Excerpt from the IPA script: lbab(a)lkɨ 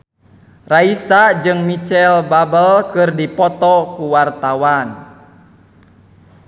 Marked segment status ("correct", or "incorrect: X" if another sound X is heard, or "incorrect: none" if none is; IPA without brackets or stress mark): incorrect: ə